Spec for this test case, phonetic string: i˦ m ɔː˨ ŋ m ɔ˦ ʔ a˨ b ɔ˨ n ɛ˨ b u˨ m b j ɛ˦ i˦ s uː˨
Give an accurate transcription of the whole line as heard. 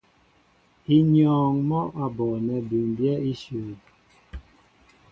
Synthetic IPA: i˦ ɲ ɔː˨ ŋ m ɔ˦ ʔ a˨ b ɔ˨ n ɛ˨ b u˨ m b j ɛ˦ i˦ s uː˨